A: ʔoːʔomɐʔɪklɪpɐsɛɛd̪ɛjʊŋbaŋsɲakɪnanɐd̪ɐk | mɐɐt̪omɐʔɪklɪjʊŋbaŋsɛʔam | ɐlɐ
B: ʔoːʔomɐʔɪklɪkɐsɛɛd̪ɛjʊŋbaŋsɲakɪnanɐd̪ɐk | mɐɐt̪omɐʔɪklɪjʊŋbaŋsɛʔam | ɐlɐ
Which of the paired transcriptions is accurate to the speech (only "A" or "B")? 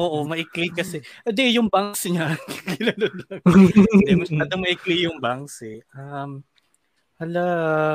B